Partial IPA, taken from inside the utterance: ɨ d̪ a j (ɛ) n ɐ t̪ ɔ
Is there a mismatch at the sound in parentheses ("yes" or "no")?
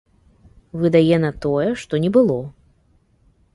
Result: no